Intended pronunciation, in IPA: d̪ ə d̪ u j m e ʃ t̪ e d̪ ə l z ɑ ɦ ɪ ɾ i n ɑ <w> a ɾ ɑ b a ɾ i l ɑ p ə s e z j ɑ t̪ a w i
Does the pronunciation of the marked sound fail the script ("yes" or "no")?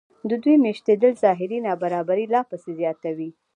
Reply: yes